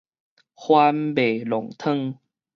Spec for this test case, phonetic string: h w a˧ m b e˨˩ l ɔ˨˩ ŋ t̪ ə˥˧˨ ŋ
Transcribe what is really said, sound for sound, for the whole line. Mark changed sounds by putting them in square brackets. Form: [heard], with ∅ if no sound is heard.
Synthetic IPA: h w a˧ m b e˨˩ l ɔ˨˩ ŋ [t̪ʰ] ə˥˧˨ ŋ

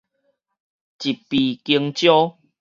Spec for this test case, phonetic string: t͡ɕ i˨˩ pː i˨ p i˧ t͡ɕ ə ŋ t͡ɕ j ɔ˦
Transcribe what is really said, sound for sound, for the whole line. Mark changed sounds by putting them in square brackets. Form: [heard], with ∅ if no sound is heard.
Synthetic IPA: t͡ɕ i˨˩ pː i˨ [k] i˧ [∅] ə ŋ t͡ɕ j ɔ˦

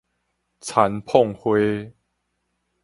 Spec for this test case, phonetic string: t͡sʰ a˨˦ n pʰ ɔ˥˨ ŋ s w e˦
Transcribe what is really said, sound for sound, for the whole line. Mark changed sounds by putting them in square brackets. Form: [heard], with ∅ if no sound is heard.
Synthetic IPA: t͡sʰ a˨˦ n pʰ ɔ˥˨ ŋ [h] w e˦

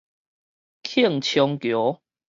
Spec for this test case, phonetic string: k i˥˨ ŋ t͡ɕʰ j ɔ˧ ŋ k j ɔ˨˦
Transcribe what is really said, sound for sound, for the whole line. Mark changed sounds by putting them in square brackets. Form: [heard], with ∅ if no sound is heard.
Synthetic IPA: [kʰ] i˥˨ ŋ t͡ɕʰ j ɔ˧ ŋ k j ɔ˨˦

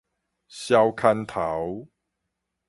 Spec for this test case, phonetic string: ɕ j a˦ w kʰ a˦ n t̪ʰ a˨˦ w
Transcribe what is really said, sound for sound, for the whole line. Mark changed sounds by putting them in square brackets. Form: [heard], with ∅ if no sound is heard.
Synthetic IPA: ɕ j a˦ w kʰ a˦ n t̪ʰ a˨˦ w

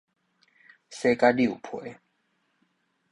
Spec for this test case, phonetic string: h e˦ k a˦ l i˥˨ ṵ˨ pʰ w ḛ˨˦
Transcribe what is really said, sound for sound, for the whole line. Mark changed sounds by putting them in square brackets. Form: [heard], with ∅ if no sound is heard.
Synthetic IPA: [s] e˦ k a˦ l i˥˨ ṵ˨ pʰ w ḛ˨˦

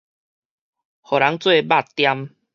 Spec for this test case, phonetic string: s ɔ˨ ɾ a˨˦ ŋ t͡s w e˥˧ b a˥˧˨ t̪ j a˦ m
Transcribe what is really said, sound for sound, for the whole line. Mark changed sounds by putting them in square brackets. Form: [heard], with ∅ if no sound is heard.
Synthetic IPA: [h] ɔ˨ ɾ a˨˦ ŋ t͡s w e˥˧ b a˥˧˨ t̪ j a˦ m

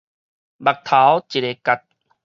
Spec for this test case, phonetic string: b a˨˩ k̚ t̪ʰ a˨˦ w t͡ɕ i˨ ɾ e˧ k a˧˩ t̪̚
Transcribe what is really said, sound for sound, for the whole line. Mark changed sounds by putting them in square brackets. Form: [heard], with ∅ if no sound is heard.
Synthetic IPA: b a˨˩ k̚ t̪ʰ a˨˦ w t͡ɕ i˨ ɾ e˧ k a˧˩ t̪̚

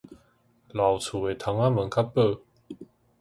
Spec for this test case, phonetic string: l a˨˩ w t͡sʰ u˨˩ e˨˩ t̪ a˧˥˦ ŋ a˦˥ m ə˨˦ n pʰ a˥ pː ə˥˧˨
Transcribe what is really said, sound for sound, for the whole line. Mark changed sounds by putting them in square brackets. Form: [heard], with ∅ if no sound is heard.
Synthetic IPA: l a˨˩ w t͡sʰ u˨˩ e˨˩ [t̪ʰ] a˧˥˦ ŋ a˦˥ m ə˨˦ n [kʰ] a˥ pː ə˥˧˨

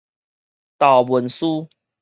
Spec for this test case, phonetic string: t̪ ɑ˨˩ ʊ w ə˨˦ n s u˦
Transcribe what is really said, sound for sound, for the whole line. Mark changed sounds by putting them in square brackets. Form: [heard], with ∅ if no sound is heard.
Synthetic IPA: t̪ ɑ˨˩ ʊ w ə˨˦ n s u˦

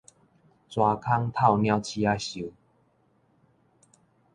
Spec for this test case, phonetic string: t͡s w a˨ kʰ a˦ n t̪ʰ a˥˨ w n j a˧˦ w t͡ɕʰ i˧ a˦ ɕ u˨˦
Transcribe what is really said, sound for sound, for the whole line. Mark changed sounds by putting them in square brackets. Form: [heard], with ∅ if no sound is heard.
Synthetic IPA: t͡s w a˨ kʰ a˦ [ŋ] t̪ʰ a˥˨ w n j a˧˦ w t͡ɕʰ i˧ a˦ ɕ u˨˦

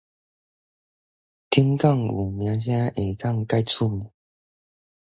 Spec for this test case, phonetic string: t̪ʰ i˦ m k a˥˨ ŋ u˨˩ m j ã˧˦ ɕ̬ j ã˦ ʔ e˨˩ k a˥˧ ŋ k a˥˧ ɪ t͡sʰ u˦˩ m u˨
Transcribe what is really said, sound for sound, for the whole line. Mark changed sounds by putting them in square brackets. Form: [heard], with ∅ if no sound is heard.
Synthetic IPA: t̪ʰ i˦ [ŋ] k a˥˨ ŋ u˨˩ m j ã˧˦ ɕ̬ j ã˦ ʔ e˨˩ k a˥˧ ŋ k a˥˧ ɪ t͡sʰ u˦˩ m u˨

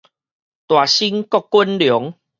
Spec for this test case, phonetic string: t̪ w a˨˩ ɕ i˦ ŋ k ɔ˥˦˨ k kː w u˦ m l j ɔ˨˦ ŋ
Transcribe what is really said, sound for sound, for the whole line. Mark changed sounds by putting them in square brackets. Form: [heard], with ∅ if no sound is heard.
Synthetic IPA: t̪ w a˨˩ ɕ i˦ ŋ k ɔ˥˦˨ k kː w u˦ [n] l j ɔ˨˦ ŋ

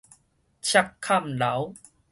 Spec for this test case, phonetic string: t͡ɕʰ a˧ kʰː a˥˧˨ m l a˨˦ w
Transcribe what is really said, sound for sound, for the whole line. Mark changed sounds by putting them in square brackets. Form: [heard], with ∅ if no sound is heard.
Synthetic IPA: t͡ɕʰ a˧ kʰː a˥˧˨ m l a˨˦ w

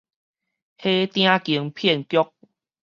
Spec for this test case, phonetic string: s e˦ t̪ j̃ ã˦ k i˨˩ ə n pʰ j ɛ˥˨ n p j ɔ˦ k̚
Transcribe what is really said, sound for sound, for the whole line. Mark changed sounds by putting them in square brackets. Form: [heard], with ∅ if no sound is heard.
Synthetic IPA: [h] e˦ t̪ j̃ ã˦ k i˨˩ ə [ŋ] pʰ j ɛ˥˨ n [k] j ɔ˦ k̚

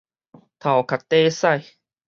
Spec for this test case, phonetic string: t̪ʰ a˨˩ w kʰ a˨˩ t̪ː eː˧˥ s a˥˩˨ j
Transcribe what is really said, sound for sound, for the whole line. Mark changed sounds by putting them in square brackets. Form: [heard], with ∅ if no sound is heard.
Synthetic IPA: t̪ʰ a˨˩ w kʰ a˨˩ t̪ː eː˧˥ s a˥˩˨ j

